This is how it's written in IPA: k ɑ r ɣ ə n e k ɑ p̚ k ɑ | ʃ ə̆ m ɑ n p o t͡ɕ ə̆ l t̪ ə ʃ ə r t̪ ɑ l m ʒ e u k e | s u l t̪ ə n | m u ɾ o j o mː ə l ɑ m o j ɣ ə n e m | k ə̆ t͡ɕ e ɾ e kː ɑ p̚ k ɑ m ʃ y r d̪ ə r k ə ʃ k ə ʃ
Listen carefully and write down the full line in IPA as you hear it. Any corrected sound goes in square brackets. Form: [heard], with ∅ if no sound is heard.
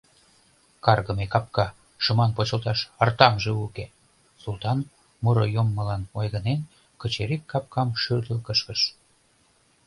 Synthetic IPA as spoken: k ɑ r ɣ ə [m] e k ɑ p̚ k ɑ | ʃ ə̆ m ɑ n p o t͡ɕ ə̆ l t̪ [ɑ] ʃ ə r t̪ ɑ [∅] m ʒ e u k e | s u l t̪ [ɑ] n | m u ɾ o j o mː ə l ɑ [n] o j ɣ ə n e [n] | k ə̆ t͡ɕ e ɾ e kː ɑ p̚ k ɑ m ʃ y r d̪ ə [l] k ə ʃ k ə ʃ